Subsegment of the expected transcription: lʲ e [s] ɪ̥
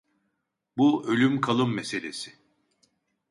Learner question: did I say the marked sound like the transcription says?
yes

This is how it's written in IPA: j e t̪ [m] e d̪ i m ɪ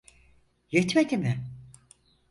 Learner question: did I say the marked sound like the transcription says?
yes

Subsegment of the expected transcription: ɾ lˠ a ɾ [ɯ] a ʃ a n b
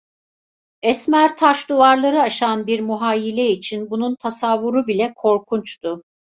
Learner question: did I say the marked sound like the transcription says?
yes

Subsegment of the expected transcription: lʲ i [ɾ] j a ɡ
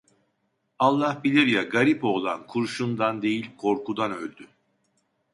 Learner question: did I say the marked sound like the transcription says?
yes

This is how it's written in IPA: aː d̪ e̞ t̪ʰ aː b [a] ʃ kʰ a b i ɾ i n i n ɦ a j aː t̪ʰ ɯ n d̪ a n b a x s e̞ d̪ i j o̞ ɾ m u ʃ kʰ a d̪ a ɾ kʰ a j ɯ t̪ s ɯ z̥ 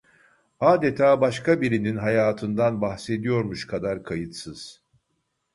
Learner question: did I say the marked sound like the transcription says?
yes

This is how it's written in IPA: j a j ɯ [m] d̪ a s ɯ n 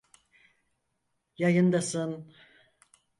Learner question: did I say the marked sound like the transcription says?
no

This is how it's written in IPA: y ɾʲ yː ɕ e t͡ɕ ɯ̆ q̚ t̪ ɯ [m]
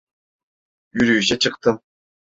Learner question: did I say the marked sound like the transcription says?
yes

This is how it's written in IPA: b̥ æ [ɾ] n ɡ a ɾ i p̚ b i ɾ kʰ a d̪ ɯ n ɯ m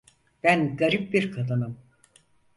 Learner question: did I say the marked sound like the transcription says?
no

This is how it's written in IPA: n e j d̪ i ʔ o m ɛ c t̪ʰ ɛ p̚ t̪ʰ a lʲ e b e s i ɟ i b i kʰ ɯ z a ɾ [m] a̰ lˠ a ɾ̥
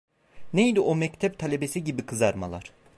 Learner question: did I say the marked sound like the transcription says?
yes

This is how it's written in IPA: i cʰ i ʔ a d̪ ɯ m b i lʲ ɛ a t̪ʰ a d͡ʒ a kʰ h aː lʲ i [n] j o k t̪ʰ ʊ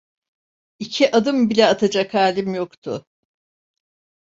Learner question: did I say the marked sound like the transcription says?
no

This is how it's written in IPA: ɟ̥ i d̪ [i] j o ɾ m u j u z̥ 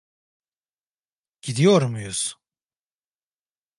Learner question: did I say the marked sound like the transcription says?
yes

